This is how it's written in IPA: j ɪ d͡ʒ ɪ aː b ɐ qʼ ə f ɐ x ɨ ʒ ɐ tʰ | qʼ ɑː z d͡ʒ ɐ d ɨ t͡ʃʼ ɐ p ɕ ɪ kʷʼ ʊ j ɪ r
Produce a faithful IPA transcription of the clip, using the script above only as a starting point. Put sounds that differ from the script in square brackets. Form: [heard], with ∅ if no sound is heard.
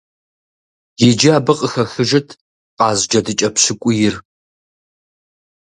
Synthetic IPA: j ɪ d͡ʒ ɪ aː b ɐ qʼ ə [x] ɐ x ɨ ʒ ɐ tʰ | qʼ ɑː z d͡ʒ ɐ d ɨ t͡ʃʼ ɐ p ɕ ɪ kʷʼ ʊ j ɪ r

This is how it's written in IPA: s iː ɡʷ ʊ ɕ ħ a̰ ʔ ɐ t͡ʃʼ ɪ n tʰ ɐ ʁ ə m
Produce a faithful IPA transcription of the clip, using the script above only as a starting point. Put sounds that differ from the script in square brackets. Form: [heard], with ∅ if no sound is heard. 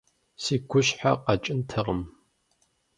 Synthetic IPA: s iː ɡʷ ʊ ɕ ħ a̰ [q] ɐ t͡ʃʼ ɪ n tʰ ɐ ʁ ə m

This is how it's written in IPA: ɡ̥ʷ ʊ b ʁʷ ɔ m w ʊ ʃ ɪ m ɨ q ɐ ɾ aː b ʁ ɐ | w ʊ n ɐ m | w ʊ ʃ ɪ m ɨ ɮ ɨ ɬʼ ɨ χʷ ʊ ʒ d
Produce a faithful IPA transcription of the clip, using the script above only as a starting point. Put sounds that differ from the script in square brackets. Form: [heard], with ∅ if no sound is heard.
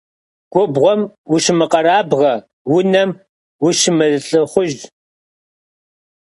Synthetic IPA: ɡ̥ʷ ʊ b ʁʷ ɔ m w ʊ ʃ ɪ m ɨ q ɐ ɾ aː b ʁ ɐ | w ʊ n ɐ m | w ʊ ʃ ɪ m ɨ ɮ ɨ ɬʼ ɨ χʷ ʊ ʒ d

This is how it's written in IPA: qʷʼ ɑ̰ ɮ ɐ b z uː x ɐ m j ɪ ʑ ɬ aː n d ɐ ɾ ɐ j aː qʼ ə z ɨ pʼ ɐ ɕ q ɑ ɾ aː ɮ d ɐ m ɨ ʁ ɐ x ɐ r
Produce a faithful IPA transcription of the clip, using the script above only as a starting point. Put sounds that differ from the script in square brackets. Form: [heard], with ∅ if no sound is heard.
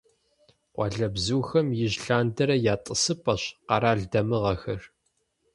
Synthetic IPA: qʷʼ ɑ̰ ɮ ɐ b z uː x ɐ m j ɪ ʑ ɬ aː n d ɐ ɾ ɐ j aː [tʼ] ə [s] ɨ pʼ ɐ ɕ q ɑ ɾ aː ɮ d ɐ m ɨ ʁ ɐ x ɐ r

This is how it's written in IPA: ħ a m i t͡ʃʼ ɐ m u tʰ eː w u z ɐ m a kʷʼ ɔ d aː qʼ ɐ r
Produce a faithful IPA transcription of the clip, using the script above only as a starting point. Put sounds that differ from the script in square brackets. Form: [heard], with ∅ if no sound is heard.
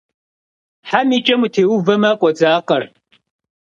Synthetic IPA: ħ a m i t͡ʃʼ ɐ m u tʰ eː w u [v] ɐ m a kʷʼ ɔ [d͡z] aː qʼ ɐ r

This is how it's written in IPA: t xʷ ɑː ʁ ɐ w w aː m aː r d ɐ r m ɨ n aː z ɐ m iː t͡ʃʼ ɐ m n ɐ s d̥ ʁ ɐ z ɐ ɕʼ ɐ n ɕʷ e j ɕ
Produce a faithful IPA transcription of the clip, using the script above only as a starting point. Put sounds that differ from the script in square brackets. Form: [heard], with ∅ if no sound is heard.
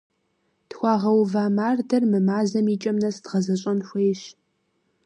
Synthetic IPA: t xʷ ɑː ʁ ɐ w [v] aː m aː r d ɐ r m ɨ [m] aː z ɐ m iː t͡ʃʼ ɐ m n ɐ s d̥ ʁ ɐ z ɐ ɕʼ ɐ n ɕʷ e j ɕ

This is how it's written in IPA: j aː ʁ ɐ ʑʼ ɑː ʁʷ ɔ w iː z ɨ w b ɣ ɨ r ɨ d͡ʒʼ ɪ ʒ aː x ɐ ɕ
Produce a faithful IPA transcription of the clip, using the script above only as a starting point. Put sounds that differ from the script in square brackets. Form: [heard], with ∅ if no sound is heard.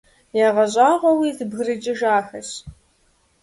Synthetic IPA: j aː ʁ ɐ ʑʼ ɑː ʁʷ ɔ w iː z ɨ [∅] b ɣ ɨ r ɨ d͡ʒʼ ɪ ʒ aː x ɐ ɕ

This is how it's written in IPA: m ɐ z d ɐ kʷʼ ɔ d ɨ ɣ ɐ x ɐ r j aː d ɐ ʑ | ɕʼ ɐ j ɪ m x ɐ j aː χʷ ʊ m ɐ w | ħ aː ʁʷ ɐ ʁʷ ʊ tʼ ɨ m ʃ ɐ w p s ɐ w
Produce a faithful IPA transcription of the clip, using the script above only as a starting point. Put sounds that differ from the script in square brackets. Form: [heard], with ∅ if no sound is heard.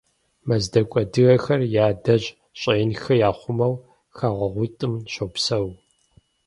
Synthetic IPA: m ɐ z d ɐ kʷʼ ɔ d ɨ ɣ ɐ x ɐ r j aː d ɐ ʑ | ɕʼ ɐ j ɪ [n] x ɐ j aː χʷ ʊ m ɐ w | [x] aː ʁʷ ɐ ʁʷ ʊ tʼ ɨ m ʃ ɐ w p s ɐ w

